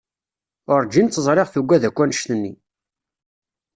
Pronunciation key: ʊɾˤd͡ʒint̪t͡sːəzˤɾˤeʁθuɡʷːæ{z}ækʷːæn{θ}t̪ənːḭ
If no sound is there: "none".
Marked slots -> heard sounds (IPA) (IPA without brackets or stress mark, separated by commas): ð, ʃ